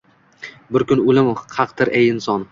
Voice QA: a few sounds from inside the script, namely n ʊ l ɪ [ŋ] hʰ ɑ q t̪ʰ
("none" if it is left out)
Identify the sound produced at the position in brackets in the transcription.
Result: m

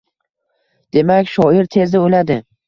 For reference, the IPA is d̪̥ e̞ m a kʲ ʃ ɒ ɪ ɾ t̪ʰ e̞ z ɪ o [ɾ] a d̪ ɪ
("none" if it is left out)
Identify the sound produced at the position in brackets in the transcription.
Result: l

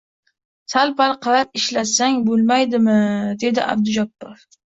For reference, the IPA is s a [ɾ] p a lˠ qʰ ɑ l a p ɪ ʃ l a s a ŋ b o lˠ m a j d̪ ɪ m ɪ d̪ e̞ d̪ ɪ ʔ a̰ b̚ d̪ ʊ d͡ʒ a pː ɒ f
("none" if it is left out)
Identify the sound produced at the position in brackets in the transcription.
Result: l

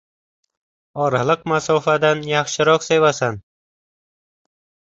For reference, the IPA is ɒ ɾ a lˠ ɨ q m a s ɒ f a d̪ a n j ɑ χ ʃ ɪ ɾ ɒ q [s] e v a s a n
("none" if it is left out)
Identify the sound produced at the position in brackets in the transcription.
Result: s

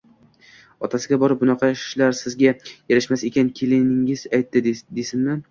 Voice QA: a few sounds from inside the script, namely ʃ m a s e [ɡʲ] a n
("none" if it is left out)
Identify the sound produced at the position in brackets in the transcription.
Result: kʲ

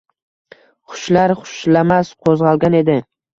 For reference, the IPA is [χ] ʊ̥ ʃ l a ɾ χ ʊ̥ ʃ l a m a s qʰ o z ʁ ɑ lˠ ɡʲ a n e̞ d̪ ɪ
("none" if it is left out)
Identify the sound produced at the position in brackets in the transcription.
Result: χ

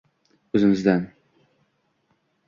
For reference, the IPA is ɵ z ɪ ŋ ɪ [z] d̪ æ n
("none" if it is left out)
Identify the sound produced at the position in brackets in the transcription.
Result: z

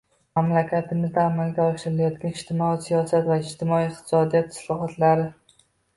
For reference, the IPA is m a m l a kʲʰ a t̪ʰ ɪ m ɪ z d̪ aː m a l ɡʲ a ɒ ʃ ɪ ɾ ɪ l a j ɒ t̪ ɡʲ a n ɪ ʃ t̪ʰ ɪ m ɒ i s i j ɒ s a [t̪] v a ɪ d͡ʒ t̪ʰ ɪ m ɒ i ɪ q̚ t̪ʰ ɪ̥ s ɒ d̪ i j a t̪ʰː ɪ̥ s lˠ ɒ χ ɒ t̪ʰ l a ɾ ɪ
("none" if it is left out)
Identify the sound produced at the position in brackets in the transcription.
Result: t̪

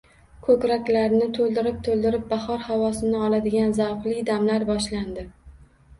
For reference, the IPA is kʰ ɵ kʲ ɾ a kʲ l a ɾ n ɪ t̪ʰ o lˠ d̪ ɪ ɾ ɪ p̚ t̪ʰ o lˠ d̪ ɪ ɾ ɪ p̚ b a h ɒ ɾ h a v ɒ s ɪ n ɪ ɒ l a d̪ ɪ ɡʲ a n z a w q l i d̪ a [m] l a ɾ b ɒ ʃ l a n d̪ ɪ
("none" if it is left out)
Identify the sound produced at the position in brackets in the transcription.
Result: m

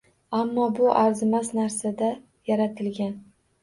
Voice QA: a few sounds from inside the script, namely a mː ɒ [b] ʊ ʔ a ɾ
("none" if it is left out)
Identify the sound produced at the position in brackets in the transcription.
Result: b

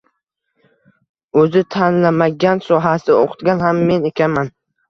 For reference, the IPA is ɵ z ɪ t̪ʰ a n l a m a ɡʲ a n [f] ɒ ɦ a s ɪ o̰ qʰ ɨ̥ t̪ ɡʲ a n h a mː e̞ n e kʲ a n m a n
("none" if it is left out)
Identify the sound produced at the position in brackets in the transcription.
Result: s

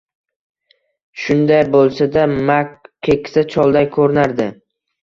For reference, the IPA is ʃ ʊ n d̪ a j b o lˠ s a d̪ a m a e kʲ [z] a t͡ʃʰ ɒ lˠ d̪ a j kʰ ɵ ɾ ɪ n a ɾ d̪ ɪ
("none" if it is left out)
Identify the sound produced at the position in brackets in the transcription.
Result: s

